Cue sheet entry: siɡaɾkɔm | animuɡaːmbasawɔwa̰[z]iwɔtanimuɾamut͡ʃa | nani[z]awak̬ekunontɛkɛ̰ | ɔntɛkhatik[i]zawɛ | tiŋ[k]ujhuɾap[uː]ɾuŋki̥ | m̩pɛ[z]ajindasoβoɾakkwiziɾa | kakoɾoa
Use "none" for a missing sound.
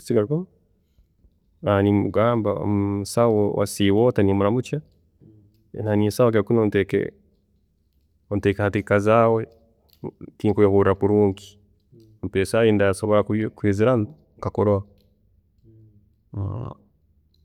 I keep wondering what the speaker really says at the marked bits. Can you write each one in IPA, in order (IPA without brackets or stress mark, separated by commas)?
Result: s, s, a, k, u, s